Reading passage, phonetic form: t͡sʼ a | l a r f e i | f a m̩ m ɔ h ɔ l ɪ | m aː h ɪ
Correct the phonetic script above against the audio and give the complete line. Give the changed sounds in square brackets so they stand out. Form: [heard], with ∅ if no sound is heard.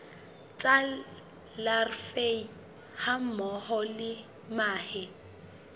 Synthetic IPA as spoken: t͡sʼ a | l a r f e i | [h] a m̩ m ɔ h ɔ l ɪ | m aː h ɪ